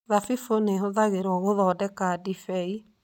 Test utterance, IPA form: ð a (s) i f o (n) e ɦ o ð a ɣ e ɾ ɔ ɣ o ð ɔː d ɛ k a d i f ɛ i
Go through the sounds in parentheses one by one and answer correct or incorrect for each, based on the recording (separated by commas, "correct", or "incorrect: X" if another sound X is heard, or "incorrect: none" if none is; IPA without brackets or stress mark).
incorrect: f, correct